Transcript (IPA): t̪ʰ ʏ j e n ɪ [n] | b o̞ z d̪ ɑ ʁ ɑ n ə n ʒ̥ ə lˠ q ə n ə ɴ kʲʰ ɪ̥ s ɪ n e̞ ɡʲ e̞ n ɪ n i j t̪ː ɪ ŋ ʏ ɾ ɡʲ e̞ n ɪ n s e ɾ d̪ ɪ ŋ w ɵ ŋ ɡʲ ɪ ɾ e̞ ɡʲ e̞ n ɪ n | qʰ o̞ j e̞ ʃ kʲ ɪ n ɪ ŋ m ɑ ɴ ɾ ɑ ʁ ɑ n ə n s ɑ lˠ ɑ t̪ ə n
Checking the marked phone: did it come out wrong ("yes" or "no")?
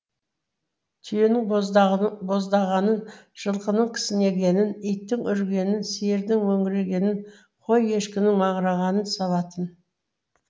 yes